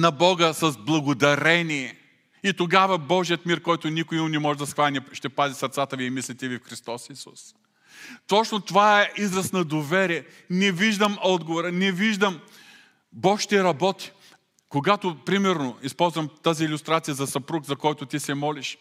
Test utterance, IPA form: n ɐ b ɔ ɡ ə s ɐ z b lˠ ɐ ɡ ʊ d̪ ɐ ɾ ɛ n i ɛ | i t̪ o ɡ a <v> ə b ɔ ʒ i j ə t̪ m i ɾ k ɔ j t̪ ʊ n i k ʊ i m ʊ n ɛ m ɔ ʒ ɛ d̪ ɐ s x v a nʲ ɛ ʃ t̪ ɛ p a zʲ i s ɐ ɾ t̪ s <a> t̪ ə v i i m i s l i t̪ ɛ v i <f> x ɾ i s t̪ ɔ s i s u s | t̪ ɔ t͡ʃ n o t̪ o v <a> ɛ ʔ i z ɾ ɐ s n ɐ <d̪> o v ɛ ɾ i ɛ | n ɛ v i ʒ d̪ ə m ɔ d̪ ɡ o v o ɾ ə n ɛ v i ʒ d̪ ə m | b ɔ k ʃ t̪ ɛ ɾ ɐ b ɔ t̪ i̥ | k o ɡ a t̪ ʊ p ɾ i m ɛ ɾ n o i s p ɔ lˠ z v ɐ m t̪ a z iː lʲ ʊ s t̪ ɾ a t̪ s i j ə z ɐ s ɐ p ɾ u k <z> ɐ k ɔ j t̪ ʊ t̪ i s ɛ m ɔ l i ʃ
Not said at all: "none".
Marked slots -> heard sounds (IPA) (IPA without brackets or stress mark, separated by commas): v, a, f, a, d̪, z